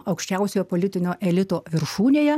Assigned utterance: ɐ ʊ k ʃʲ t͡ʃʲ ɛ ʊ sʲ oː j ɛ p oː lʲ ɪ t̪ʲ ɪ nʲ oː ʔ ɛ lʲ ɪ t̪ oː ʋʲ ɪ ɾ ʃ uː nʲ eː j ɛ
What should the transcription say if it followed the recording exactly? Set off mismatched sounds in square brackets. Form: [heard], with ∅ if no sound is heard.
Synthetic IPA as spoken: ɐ ʊ k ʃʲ t͡ʃʲ ɛ ʊ sʲ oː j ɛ p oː lʲ ɪ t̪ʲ ɪ nʲ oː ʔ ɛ lʲ ɪ t̪ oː ʋʲ ɪ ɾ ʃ uː nʲ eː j ɛ